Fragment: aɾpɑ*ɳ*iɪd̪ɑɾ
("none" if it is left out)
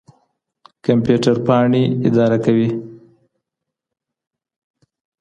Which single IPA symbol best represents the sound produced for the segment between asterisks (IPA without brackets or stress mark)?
ɳ